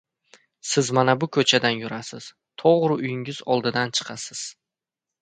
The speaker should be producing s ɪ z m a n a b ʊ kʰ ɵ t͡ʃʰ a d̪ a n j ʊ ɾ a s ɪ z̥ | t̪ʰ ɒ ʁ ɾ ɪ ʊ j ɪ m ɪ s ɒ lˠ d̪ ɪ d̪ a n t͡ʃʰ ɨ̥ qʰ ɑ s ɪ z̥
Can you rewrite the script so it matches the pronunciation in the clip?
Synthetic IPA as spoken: s ɪ z m a n a b ʊ kʰ ɵ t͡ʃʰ a d̪ a n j ʊ ɾ a s ɪ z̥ | t̪ʰ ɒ ʁ ɾ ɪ ʊ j ɪ ŋ ɪ z ɒ lˠ d̪ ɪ d̪ a n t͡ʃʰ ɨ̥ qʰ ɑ s ɪ z̥